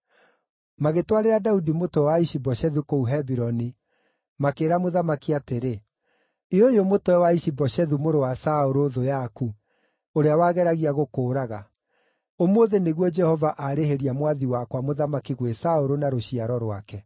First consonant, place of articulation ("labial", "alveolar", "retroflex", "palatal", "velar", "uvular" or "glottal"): labial